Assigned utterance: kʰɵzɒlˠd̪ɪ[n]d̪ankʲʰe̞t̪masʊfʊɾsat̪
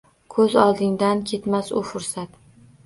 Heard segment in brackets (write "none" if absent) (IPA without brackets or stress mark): ŋ